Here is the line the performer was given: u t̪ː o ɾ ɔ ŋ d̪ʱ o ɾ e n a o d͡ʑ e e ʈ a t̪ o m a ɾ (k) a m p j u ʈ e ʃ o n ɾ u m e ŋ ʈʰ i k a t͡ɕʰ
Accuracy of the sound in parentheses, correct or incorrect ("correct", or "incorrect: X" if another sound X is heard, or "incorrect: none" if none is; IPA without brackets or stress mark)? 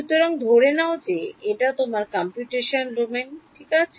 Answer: correct